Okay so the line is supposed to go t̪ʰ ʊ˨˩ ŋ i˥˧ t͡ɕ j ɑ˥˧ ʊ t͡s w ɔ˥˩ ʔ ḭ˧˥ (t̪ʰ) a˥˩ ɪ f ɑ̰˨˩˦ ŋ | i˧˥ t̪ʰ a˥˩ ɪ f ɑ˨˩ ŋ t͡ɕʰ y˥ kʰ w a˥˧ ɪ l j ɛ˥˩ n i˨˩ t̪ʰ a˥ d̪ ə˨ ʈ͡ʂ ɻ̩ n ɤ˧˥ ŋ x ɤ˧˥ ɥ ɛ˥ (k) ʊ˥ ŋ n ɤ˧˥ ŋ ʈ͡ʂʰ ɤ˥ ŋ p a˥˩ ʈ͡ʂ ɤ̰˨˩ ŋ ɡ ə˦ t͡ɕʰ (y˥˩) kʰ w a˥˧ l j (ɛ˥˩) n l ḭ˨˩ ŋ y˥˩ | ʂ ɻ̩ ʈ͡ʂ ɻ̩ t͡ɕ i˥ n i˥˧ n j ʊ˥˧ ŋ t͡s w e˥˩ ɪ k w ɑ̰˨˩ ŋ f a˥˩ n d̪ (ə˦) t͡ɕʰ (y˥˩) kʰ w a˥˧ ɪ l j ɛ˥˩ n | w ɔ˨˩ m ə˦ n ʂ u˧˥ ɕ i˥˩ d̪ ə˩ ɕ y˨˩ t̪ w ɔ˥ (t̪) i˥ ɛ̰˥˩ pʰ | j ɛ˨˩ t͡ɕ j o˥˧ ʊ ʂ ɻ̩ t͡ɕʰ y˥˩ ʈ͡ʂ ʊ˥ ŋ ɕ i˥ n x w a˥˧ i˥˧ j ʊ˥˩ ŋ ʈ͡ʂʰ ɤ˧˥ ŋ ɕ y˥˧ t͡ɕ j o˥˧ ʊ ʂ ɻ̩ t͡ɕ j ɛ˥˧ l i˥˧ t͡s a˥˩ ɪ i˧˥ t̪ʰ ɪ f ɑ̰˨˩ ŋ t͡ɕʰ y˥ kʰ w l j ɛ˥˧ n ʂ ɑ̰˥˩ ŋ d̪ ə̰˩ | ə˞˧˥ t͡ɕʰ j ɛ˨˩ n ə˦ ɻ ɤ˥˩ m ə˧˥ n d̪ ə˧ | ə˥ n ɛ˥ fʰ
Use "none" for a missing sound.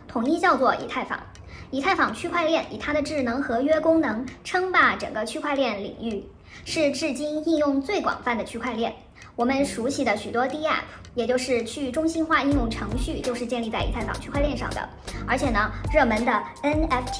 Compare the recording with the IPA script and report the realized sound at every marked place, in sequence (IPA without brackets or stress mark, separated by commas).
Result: t̪ʰ, k, y˥, ɛ˥˩, ə˩, y˥, t̪